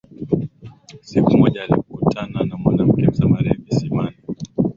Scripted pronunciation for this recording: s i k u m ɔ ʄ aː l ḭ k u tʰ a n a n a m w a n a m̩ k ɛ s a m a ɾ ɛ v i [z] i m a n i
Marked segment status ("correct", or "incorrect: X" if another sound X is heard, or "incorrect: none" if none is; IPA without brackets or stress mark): incorrect: s